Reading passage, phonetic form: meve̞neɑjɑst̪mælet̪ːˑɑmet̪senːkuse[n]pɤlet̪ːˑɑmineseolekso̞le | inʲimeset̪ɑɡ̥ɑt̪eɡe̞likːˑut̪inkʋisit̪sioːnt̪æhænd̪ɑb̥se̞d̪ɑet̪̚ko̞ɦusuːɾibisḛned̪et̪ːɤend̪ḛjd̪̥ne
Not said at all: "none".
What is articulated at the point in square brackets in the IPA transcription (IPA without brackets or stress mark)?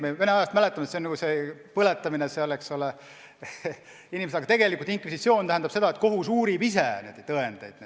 none